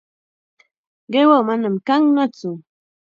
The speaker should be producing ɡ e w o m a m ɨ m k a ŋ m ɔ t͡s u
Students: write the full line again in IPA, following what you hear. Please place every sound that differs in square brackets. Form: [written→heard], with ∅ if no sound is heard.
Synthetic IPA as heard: ɡ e w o m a [m→n] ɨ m k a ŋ [m→n] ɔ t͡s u